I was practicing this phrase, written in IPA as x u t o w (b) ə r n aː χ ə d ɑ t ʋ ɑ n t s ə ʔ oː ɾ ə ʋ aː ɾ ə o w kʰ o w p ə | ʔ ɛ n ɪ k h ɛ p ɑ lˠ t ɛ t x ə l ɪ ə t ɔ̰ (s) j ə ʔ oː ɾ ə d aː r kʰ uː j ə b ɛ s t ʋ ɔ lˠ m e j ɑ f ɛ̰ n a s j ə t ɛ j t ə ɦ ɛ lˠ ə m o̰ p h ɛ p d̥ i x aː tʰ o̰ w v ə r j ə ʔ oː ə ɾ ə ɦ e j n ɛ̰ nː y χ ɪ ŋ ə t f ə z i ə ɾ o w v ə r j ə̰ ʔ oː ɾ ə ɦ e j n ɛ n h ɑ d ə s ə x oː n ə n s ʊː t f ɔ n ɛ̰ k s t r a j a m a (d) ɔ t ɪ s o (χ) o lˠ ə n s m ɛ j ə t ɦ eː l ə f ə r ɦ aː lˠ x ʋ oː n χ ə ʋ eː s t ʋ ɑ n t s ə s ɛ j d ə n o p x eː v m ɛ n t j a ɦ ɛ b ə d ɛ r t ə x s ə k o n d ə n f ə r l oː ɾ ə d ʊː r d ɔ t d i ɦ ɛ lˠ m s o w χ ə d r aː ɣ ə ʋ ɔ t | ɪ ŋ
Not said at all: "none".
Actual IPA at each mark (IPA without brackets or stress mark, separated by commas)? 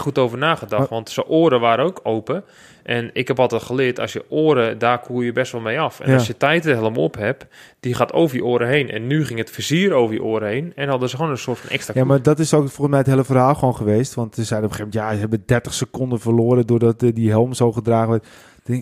v, s, d, f